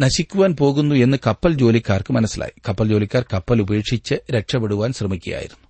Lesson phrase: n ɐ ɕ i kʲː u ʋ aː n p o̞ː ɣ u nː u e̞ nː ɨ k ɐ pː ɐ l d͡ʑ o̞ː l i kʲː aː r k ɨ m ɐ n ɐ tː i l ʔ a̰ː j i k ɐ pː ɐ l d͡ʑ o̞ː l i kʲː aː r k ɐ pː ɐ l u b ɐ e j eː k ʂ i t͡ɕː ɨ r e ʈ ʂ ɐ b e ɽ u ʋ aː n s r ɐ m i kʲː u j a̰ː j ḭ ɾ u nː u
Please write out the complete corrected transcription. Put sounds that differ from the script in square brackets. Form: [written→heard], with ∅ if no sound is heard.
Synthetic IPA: n ɐ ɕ i kʲː u ʋ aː n p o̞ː ɣ u nː u e̞ nː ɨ k ɐ pː ɐ l d͡ʑ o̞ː l i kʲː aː r k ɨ m ɐ n ɐ [tː→sː] i l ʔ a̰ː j i k ɐ pː ɐ l d͡ʑ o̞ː l i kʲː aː r k ɐ pː ɐ l u b ɐ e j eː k ʂ i t͡ɕː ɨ [r→ɾ] e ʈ ʂ ɐ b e ɽ u ʋ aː n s r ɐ m i kʲː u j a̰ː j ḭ ɾ u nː u